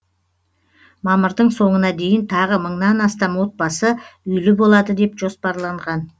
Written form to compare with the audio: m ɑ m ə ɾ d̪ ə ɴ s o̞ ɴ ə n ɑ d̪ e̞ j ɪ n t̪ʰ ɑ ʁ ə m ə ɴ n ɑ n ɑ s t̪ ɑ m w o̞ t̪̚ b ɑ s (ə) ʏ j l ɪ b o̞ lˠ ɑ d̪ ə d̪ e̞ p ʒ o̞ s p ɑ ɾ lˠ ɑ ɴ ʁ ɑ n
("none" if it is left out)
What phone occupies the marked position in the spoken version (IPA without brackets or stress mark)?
ə